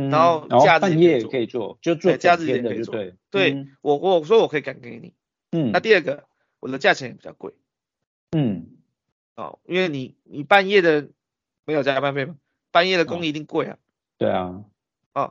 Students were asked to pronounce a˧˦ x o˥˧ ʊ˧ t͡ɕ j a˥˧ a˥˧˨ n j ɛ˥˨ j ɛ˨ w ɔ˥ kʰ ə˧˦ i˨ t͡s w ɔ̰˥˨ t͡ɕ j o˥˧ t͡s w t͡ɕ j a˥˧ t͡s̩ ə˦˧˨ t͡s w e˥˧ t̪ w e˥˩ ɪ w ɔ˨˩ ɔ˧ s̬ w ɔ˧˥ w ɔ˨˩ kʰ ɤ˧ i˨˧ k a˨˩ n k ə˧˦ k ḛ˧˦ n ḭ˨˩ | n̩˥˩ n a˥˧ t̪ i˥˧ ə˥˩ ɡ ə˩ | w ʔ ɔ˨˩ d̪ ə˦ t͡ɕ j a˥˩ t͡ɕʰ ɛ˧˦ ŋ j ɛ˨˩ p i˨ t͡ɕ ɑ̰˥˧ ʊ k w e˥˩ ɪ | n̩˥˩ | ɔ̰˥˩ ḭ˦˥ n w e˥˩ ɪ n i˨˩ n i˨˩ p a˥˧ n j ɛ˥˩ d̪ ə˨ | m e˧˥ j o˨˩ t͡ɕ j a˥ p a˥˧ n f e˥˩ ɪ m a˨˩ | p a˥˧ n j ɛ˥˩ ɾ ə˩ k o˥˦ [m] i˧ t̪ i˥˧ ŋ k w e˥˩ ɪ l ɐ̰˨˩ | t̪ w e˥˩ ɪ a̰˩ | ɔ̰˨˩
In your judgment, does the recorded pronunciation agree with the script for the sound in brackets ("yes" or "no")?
no